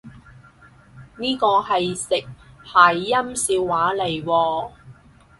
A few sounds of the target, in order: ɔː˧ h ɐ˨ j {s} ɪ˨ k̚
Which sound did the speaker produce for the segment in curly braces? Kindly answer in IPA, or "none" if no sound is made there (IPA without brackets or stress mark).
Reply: s